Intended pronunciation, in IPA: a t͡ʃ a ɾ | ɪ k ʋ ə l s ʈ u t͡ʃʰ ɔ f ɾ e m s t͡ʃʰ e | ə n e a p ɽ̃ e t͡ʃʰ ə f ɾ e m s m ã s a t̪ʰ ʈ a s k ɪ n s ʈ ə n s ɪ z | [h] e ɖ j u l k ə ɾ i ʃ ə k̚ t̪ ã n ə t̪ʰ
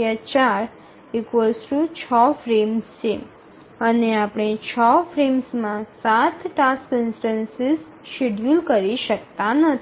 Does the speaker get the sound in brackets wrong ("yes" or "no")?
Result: yes